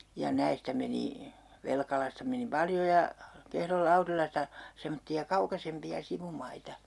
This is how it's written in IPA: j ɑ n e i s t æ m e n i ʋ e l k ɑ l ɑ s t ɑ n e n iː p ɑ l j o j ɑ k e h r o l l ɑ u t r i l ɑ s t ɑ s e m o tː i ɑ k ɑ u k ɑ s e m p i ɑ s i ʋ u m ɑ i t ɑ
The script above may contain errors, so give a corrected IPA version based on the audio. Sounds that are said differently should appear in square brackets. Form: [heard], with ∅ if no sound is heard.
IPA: j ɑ n [æ] i s t æ m e n i ʋ e l k ɑ l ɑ s t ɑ [m] e n [i] p ɑ l j o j ɑ k e h r o l l ɑ u [∅] r i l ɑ s t ɑ s e m o tː i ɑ k ɑ u k ɑ s e m p i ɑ s i ʋ u m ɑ i t ɑ